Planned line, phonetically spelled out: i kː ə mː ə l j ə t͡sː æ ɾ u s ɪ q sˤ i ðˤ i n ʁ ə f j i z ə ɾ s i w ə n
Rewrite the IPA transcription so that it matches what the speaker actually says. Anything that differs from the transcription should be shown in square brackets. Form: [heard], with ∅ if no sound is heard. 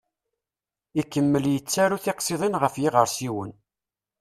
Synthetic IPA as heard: i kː ə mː ə l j ə t͡sː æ ɾ u [θ] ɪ q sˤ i ðˤ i n ʁ ə f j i [ʁ] ə ɾ s i w ə n